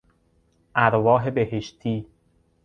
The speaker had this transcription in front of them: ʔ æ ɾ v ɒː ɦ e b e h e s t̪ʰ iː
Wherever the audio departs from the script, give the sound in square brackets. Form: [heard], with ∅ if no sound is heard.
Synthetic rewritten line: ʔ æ ɾ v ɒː ɦ e b e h e [ʃ] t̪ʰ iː